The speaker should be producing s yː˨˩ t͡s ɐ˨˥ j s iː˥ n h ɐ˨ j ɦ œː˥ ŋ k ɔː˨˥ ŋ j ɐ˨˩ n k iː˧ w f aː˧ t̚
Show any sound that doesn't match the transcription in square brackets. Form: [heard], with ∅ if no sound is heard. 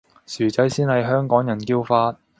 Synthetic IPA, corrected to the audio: s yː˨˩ t͡s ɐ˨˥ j s iː˥ n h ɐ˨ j ɦ œː˥ ŋ k ɔː˨˥ ŋ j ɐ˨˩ n k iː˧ w f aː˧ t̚

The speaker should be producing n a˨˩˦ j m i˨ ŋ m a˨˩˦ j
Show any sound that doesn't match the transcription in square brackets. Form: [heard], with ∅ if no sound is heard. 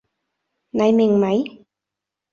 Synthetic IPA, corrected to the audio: n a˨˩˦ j m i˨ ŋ m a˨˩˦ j

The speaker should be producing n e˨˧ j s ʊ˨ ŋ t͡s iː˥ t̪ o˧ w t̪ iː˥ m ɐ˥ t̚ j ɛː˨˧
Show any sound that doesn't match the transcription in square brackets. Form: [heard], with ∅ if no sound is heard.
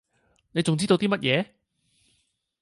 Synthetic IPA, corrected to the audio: n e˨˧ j [t͡s] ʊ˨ ŋ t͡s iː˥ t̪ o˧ w t̪ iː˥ m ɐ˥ t̚ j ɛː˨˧

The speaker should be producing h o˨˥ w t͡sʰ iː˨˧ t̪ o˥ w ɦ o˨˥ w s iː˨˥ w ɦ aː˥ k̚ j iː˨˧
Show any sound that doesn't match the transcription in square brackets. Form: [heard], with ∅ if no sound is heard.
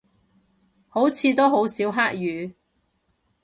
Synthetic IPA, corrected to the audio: h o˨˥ w t͡sʰ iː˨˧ t̪ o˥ w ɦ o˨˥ w s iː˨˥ w ɦ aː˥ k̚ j [yː˨˧]

